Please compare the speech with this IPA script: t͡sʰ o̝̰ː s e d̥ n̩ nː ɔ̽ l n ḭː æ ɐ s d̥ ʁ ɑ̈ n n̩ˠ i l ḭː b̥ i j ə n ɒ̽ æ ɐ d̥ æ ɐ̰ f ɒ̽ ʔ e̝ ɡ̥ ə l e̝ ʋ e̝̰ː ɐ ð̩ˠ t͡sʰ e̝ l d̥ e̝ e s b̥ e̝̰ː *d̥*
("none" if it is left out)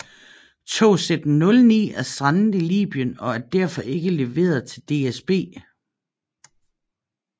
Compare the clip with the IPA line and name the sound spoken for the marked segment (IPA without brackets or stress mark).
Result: none